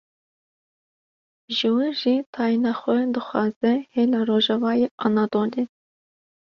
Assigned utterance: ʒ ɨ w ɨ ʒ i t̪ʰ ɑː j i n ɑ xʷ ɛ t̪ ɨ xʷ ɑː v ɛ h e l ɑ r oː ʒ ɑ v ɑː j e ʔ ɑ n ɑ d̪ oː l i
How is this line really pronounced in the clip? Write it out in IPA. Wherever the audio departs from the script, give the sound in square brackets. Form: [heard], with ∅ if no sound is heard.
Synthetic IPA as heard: ʒ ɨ w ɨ ʒ i t̪ʰ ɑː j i n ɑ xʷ ɛ [d̪] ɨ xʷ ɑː [z] ɛ h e l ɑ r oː ʒ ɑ v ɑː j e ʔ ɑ n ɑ d̪ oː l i